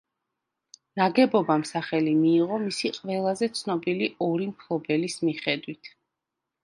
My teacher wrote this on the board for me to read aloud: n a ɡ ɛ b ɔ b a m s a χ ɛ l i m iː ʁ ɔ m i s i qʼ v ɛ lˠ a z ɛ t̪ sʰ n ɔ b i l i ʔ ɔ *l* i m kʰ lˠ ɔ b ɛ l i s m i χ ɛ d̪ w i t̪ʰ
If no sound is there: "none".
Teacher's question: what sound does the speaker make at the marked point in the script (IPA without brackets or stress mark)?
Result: ɾ